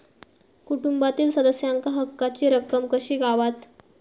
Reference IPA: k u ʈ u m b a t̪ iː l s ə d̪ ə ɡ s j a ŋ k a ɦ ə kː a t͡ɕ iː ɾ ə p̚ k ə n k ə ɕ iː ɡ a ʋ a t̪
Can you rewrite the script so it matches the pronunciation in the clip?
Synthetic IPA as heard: k u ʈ u m b a t̪ iː l s ə d̪ ə s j a ŋ k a ɦ ə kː a t͡ɕ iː ɾ ə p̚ k ə m k ə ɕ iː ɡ a ʋ a t̪